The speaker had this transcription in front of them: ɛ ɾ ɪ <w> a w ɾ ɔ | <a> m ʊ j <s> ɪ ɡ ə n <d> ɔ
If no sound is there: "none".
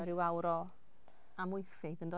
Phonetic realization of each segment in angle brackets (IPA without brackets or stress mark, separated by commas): w, a, θ, d